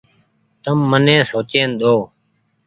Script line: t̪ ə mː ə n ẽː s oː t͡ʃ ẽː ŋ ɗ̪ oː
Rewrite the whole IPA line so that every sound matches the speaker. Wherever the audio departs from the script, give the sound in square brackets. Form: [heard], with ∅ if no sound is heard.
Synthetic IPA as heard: t̪ ə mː ə n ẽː s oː t͡ʃ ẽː [n] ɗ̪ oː